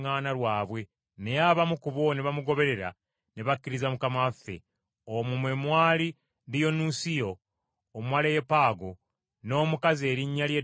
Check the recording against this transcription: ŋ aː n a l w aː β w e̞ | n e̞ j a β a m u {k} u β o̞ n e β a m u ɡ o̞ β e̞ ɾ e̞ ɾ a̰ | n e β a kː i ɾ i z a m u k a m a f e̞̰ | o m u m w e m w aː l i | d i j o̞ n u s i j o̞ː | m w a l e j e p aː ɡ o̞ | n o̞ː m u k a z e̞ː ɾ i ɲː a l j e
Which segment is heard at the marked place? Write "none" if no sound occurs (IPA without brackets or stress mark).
k